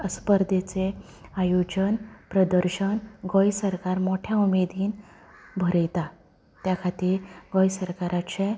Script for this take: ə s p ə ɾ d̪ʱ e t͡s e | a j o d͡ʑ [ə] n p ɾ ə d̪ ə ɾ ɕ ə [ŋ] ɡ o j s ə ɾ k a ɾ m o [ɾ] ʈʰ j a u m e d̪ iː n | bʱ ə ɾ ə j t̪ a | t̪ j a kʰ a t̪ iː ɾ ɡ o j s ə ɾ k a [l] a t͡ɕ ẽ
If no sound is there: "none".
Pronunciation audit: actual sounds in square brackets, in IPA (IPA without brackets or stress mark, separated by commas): ə, n, none, ɾ